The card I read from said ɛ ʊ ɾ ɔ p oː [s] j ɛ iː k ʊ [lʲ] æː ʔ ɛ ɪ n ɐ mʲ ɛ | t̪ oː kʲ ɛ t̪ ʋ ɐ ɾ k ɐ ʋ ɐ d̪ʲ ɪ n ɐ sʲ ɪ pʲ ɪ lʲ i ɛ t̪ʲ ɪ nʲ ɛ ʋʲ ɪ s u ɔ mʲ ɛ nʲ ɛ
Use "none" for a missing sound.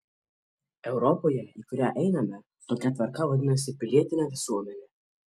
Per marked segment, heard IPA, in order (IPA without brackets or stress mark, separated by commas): none, ɾʲ